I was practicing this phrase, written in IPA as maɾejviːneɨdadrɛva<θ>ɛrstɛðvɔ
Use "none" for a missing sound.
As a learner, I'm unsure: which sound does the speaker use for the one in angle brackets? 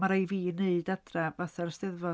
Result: θ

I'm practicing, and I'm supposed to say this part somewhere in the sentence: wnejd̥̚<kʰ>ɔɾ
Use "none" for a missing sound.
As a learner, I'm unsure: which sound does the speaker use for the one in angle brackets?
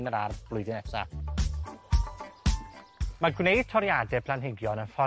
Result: tʰ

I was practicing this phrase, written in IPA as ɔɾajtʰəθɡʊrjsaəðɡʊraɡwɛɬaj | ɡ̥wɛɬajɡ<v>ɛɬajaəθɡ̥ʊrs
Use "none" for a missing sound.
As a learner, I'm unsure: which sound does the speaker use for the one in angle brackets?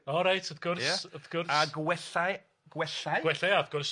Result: w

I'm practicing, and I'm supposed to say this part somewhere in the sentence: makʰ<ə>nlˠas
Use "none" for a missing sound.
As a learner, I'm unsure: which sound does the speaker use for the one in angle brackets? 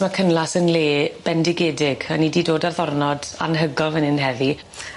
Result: ə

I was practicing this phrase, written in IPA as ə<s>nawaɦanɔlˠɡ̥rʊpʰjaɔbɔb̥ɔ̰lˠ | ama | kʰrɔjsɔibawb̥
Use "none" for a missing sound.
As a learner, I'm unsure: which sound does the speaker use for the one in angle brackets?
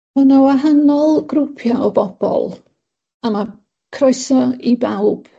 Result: none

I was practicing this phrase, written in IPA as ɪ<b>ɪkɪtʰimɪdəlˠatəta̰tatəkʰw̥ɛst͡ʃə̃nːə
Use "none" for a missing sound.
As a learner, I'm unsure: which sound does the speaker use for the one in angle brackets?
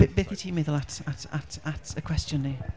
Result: b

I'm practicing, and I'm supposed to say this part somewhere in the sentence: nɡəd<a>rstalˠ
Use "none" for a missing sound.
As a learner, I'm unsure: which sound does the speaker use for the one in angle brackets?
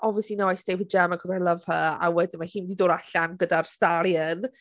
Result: a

